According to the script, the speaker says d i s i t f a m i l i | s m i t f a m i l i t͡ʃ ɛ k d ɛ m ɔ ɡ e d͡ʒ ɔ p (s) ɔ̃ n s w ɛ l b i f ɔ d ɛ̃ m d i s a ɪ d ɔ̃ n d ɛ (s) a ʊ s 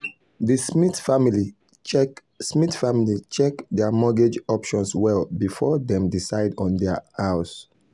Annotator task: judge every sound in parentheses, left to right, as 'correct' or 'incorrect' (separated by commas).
incorrect, incorrect